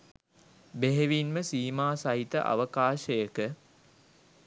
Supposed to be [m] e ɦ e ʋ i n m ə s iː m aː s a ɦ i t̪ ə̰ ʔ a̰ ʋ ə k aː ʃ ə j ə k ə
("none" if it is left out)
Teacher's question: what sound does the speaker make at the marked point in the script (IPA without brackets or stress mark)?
b